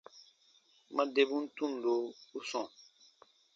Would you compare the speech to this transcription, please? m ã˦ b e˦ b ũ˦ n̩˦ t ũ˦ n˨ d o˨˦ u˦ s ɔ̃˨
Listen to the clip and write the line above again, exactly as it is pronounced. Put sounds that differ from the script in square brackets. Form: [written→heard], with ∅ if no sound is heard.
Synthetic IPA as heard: m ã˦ [b→d] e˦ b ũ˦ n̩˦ t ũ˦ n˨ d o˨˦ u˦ s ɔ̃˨